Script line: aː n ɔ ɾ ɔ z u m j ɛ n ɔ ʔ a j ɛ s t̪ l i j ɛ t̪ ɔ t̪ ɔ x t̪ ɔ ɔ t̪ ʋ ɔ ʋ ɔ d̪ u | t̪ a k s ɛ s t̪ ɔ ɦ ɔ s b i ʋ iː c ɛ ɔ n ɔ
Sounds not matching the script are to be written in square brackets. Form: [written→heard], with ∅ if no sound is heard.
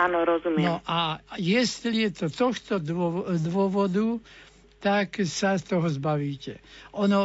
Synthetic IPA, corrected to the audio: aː n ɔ ɾ ɔ z u m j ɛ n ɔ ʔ a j ɛ s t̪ l i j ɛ t̪ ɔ t̪ ɔ x t̪ ɔ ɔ [t̪→d̪] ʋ ɔ ʋ ɔ d̪ u | t̪ a k s [ɛ→a] s t̪ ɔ ɦ ɔ [s→z] b [i→a] ʋ iː c ɛ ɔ n ɔ